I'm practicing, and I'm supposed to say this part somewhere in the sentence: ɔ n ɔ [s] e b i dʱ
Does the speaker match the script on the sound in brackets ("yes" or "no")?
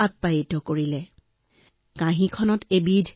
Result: no